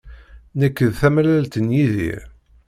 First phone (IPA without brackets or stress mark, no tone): n